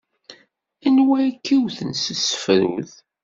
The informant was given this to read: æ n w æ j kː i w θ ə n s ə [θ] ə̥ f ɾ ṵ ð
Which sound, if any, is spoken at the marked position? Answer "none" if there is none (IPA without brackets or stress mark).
s